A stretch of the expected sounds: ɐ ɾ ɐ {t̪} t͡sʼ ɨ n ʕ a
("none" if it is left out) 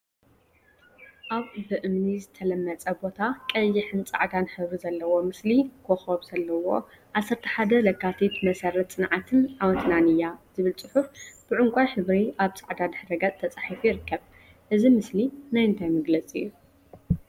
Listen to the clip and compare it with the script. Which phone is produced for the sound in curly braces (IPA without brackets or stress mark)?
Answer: t̪